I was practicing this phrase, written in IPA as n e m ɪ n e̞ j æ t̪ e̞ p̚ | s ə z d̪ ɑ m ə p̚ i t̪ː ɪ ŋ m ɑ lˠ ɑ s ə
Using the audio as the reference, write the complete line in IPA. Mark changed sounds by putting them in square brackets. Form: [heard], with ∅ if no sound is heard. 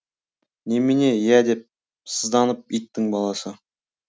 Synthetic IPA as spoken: n e m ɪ n e̞ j æ [d̪] e̞ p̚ | s ə z d̪ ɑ [n] ə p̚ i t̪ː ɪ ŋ [b] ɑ lˠ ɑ s ə